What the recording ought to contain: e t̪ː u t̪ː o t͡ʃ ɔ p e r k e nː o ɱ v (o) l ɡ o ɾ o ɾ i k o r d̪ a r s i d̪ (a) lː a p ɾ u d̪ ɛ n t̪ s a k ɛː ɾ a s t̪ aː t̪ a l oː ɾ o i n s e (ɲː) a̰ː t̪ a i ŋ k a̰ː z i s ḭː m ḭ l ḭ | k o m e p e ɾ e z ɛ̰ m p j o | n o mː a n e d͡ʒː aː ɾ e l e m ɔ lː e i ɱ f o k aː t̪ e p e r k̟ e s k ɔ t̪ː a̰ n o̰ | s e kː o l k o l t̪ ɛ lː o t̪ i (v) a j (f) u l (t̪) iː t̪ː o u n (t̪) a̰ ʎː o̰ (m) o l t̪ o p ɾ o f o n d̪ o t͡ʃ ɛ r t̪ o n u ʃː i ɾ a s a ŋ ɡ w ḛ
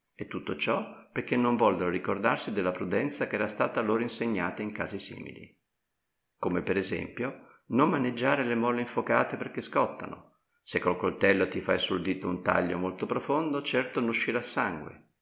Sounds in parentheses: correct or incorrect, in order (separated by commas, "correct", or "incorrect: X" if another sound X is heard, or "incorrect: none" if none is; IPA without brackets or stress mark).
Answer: incorrect: ɔ, incorrect: e, correct, incorrect: f, incorrect: s, incorrect: d̪, correct, correct